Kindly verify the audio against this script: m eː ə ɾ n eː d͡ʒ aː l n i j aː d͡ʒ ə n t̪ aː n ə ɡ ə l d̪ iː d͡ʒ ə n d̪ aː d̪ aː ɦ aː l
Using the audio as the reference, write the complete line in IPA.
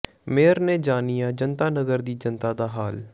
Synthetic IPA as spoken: m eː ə ɾ n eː d͡ʒ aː n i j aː d͡ʒ ə n t̪ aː n ə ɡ ə ɾ d̪ iː d͡ʒ ə n t̪ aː d̪ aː ɦ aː l